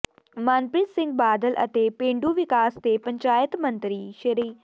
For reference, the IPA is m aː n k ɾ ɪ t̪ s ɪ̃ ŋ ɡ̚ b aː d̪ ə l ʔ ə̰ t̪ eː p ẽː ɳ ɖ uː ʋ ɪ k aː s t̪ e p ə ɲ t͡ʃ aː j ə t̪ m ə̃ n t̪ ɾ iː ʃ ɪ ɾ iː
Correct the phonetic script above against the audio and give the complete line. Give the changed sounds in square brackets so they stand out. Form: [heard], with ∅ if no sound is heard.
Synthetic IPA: m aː n [p] ɾ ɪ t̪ s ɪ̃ ŋ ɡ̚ b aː d̪ ə l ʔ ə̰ t̪ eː p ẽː ɳ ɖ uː ʋ ɪ k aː s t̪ e p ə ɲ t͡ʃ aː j ə t̪ m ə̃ n t̪ ɾ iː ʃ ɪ ɾ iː